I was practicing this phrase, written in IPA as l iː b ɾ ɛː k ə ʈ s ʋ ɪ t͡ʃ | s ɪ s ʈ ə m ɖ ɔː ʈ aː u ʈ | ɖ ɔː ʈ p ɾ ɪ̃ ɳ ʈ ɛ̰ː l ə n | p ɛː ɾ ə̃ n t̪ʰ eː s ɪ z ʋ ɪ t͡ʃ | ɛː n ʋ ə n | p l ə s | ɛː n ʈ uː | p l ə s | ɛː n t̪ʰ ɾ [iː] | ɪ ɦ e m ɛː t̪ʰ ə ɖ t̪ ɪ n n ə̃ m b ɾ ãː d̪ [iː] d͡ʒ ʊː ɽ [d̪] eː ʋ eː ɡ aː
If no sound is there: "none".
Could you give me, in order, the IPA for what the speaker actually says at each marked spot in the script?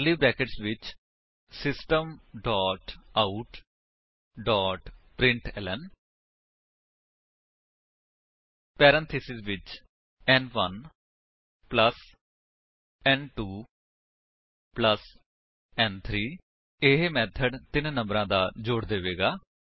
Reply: iː, aː, d̪

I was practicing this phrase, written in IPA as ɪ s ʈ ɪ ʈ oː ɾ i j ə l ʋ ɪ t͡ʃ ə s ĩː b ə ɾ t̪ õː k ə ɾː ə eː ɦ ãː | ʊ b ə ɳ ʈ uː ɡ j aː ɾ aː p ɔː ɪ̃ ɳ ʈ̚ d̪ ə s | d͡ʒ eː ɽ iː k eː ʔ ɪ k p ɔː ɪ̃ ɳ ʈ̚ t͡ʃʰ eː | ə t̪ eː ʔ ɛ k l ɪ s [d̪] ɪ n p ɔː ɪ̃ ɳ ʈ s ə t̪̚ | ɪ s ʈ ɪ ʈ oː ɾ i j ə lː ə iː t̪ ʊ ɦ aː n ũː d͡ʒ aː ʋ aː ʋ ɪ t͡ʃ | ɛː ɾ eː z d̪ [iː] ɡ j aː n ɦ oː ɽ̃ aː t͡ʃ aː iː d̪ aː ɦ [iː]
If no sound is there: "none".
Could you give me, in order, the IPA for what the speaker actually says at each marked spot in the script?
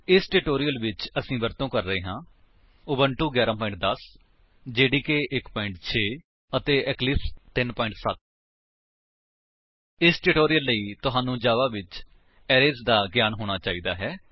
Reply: t̪, aː, ɛː

